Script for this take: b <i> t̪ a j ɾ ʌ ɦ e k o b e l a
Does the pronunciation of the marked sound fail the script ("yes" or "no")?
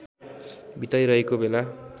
no